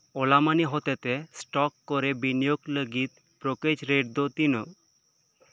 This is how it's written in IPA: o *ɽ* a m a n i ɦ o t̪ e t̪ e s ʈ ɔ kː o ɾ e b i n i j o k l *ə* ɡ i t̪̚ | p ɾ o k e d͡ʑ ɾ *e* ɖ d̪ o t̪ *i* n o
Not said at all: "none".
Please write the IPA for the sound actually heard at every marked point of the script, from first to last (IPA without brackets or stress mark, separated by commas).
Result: l, ə, e, i